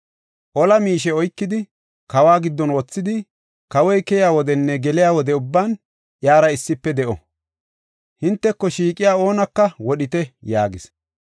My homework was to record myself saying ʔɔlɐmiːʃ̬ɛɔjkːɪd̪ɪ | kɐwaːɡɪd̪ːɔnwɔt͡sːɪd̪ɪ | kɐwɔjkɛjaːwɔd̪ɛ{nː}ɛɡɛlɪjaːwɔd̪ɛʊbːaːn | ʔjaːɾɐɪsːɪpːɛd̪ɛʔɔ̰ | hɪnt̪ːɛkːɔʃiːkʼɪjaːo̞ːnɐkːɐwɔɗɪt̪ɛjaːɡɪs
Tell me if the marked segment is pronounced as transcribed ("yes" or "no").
yes